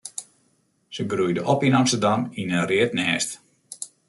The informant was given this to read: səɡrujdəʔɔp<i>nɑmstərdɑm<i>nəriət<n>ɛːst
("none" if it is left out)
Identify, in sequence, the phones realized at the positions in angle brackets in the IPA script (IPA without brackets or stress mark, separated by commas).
i, i, n